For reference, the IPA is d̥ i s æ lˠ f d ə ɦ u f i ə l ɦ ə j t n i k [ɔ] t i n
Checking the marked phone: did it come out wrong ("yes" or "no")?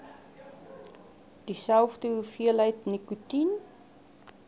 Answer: yes